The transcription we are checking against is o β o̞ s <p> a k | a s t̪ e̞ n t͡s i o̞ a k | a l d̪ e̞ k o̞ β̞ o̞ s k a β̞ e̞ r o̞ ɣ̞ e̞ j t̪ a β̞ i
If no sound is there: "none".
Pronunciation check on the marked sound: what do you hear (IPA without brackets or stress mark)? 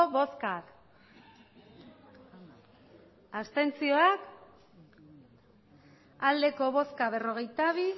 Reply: k